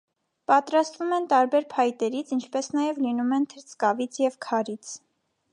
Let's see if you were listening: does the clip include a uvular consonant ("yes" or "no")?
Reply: no